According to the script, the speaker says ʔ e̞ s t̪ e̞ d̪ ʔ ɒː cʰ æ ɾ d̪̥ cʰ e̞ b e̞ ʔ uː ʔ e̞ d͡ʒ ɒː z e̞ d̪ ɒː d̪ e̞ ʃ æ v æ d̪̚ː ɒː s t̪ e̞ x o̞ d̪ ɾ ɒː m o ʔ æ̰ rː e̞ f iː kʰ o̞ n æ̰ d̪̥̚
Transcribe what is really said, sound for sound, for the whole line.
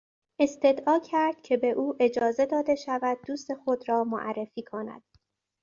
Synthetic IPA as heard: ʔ e̞ s t̪ e̞ d̪ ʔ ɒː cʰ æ ɾ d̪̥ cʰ e̞ b e̞ ʔ uː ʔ e̞ d͡ʒ ɒː z e̞ d̪ ɒː d̪ e̞ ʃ æ v æ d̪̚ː uː s t̪ e̞ x o̞ d̪ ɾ ɒː m o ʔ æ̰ rː e̞ f iː kʰ o̞ n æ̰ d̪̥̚